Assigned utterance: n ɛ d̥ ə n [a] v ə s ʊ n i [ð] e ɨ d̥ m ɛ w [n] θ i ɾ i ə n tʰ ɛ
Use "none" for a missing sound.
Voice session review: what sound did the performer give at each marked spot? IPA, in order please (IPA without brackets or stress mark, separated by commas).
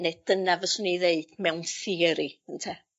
a, ð, n